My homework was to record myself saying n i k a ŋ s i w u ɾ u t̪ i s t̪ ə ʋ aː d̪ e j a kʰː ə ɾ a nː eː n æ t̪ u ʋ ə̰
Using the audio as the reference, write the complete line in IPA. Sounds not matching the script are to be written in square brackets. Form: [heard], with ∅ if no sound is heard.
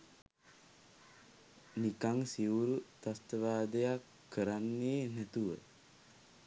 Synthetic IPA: n i k a ŋ s i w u ɾ u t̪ [a] s t̪ ə ʋ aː d̪ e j a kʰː ə ɾ a nː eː n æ t̪ u ʋ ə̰